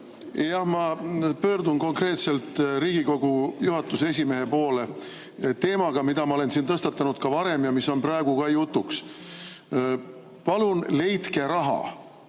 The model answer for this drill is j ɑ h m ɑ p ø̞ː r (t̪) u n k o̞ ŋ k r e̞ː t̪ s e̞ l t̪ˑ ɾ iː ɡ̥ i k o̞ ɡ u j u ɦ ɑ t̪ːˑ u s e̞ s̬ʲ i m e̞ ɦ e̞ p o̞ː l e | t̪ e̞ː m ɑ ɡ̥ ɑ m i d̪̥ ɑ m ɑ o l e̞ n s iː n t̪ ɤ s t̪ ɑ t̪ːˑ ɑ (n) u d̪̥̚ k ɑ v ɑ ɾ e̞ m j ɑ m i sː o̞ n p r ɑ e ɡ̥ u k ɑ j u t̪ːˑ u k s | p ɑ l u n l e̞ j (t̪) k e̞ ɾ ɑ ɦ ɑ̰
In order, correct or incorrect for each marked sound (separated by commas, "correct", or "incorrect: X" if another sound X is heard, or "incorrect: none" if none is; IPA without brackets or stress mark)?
incorrect: d̪, correct, correct